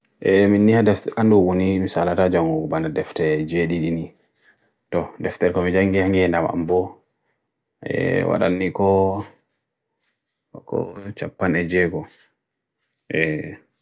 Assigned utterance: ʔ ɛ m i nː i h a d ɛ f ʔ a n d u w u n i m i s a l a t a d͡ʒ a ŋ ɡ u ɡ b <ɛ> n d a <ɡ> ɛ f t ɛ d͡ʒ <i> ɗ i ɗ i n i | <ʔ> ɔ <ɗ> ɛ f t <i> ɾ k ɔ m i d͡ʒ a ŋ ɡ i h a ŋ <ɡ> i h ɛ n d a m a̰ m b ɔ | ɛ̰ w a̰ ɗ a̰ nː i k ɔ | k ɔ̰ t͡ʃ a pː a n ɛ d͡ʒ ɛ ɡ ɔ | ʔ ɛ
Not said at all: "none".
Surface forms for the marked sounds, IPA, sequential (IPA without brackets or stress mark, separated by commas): a, d, e, t, d, ɛ, ɡ